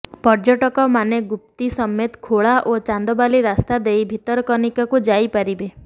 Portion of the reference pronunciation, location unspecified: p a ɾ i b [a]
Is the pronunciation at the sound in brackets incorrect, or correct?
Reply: incorrect